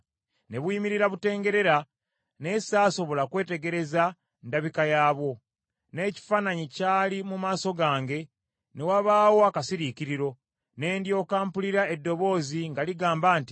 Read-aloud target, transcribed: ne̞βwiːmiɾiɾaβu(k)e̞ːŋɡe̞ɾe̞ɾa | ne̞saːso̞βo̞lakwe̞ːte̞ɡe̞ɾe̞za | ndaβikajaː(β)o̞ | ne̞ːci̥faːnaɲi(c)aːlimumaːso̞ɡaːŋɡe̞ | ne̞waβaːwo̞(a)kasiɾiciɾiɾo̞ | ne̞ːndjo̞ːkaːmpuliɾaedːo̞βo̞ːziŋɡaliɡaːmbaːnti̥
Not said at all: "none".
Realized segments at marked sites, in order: t, β, c, a

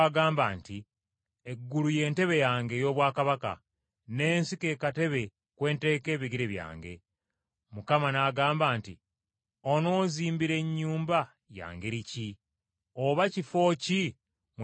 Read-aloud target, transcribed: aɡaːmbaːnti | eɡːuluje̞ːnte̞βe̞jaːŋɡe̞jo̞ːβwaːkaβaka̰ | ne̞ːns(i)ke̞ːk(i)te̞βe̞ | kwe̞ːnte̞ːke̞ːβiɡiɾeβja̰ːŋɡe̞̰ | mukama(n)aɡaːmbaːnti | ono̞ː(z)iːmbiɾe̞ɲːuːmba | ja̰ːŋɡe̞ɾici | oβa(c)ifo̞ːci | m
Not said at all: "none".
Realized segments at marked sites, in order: i, a, n, z, c

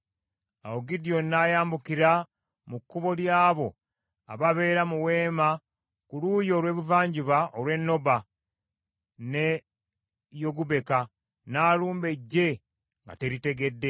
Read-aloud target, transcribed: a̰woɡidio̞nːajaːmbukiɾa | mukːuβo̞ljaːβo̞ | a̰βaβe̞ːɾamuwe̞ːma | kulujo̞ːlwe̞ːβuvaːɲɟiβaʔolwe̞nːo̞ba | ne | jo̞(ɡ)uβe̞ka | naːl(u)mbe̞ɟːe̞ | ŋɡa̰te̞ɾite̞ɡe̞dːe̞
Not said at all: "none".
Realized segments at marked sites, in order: ɡ, uː

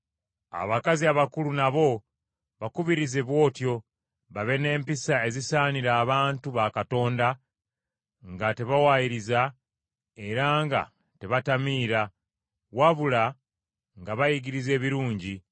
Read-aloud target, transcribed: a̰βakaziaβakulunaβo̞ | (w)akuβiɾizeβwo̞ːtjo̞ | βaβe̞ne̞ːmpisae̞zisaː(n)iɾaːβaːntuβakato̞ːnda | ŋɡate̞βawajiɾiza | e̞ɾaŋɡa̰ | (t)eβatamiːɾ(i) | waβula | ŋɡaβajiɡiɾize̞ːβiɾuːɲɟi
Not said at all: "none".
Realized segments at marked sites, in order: β, n, t, a

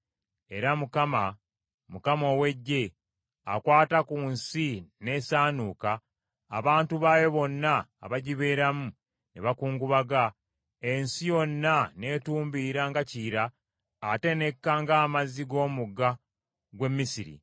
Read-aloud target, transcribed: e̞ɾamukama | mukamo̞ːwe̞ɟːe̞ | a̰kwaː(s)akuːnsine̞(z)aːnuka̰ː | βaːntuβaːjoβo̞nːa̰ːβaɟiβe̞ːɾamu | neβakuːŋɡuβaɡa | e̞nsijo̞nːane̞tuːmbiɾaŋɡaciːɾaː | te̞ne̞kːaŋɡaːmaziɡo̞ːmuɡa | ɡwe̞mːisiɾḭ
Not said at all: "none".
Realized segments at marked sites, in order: t, s

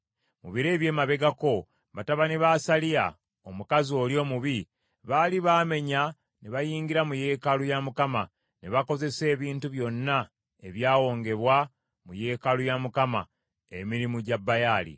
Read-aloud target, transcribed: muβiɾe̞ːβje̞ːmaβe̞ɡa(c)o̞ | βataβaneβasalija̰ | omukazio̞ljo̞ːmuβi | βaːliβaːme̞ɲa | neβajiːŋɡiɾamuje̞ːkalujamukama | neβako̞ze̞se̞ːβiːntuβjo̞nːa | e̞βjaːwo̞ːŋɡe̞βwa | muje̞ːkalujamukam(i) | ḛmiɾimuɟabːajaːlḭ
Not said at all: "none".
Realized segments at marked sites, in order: k, a

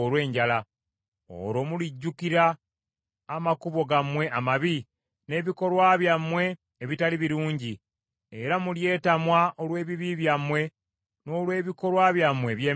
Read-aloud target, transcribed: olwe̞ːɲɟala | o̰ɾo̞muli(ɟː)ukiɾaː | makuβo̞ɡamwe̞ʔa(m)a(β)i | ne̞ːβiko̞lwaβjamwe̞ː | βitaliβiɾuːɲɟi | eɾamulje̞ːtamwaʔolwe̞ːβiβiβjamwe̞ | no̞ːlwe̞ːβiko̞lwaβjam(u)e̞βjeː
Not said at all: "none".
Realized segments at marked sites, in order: ɟː, m, β, w

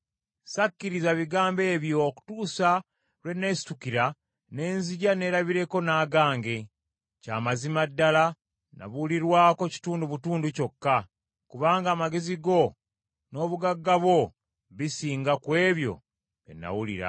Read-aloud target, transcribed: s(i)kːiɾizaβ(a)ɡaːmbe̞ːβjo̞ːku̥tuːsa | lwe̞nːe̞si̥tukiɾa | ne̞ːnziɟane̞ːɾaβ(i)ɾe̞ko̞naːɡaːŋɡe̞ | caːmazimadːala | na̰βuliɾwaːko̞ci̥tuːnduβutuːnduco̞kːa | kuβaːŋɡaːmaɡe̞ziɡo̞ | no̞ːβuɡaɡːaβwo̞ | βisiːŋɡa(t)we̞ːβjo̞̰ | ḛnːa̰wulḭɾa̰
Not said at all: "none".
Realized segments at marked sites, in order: a, i, i, k

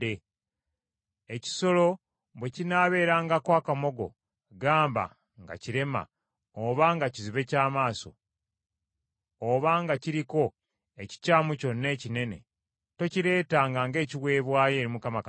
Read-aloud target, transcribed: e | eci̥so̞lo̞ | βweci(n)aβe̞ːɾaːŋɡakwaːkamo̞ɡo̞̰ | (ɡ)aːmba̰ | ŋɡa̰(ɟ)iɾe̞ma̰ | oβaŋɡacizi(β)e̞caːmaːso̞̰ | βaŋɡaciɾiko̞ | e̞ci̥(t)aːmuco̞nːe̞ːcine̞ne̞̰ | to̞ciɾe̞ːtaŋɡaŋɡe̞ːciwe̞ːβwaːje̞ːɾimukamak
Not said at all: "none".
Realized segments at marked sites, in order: n, ɡ, c, β, c

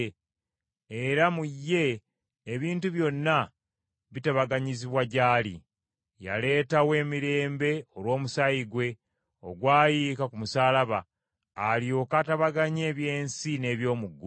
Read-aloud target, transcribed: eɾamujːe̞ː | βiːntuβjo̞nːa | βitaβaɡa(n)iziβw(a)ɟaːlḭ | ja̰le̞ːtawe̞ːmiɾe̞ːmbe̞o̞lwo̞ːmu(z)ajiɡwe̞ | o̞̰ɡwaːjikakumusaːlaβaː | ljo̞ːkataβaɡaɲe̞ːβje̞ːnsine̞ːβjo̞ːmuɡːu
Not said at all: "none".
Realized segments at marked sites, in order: ɲ, a, s

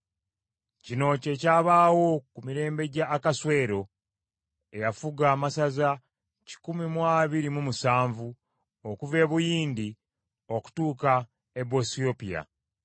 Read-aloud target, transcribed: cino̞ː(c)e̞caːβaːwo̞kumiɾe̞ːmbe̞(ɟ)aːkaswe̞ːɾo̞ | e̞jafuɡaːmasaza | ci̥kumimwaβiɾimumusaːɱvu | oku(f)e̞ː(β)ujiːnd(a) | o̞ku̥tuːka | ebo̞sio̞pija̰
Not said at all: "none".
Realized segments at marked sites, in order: c, ɟ, v, β, i

